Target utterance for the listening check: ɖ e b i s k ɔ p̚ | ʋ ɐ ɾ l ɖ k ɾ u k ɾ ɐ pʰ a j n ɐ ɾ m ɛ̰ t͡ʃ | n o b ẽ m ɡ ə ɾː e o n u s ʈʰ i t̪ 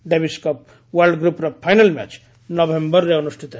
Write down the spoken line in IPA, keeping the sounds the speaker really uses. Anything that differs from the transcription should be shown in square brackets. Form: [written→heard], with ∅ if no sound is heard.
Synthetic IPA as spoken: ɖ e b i s k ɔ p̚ | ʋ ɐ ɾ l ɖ [k→ɡ] ɾ u [k→p] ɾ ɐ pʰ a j n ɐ [ɾ→l] m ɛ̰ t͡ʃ | n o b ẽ m [ɡ→b] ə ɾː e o n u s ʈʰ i t̪